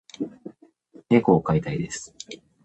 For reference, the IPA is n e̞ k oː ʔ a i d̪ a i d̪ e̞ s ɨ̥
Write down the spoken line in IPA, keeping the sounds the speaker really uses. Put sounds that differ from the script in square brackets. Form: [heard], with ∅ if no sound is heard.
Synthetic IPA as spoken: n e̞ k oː [k] a i [t̪] a i d̪ e̞ s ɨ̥